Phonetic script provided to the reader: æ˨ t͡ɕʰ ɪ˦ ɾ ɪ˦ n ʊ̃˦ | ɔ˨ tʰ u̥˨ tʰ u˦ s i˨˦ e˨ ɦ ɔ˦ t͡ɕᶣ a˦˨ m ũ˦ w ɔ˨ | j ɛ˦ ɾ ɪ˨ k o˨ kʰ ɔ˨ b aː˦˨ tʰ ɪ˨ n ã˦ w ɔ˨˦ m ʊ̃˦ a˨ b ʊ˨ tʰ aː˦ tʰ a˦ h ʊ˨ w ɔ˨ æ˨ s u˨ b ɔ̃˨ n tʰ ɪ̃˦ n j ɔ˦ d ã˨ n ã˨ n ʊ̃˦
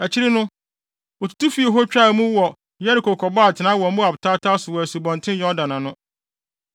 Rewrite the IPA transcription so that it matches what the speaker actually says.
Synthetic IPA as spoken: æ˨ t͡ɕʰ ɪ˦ ɾ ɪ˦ n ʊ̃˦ | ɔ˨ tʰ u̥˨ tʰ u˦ f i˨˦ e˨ ɦ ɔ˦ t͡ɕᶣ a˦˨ m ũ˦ w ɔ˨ | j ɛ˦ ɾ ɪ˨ k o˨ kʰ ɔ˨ b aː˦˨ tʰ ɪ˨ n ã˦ w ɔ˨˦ m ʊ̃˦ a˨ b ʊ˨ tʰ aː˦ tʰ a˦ s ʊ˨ w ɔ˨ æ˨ s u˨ b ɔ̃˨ n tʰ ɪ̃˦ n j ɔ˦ d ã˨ n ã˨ n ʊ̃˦